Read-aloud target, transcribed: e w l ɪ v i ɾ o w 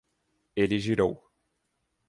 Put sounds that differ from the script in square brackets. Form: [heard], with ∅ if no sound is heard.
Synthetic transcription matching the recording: e [∅] l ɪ [ʒ] i ɾ o w